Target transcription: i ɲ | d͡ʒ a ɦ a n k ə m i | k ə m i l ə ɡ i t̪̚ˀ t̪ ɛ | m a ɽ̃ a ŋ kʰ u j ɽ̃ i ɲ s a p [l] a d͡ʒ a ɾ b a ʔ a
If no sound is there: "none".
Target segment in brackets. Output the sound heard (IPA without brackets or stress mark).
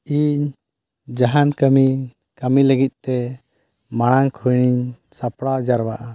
ɽ